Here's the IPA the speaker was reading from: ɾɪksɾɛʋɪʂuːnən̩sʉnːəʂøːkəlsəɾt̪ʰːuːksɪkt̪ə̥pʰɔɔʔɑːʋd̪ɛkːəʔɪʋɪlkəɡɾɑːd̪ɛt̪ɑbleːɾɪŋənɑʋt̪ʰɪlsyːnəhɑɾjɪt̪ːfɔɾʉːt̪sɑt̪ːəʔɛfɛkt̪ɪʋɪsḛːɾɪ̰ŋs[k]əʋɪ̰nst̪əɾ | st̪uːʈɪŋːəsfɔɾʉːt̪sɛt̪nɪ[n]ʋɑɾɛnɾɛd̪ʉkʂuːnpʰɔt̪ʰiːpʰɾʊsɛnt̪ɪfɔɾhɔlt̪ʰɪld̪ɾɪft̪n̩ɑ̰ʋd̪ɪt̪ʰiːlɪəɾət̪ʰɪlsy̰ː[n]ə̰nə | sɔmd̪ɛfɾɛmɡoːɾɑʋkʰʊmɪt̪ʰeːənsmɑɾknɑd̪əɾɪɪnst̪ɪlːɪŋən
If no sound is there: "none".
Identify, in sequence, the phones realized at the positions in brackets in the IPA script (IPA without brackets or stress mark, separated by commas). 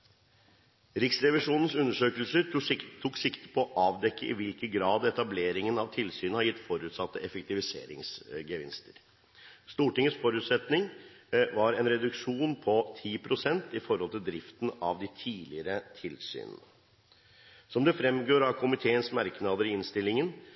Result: ɡ, ŋ, n